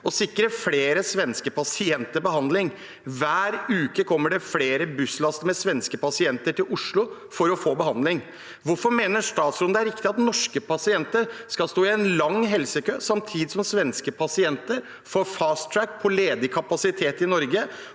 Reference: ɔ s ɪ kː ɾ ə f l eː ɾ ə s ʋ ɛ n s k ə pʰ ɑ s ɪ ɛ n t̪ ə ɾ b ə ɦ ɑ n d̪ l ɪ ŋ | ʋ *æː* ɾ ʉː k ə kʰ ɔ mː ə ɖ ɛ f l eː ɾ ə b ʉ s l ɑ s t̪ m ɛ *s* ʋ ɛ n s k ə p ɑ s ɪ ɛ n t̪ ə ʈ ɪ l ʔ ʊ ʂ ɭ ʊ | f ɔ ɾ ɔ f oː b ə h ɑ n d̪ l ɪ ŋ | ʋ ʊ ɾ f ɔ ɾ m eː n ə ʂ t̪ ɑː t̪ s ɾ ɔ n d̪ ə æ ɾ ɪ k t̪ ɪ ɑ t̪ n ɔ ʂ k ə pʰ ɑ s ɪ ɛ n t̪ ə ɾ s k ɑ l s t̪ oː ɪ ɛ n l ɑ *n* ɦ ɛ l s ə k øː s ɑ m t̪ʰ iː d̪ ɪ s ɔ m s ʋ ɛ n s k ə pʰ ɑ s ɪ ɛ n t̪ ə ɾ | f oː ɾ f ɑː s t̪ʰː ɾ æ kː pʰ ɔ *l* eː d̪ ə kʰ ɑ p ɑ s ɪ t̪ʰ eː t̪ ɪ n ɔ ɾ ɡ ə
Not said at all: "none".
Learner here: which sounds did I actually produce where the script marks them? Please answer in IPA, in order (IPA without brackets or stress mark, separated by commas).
æː, s, ŋ, l